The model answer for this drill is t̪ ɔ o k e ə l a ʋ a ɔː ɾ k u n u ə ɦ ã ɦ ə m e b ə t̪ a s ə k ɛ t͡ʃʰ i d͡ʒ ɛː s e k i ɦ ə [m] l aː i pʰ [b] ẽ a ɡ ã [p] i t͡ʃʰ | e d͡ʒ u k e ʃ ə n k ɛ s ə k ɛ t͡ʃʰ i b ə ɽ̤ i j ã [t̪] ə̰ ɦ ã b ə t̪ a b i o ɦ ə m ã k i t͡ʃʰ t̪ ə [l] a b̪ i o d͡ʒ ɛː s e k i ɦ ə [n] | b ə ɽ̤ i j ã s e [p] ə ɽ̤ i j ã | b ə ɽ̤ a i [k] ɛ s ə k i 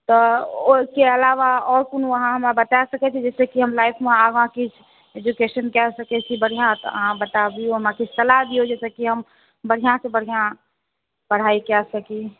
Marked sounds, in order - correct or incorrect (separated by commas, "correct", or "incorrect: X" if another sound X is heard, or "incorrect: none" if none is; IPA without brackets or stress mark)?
correct, incorrect: m, incorrect: k, correct, correct, incorrect: m, incorrect: b, correct